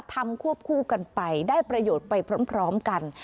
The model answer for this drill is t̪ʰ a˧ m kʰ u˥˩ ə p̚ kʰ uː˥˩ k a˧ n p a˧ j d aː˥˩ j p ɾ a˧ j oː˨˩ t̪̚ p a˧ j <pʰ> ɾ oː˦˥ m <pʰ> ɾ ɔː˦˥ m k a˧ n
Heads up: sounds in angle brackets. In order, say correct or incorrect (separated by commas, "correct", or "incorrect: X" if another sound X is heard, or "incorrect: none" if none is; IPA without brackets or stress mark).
correct, correct